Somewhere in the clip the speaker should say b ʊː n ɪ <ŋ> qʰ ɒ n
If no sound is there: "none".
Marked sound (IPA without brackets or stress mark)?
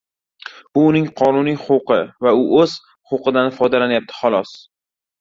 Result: ŋ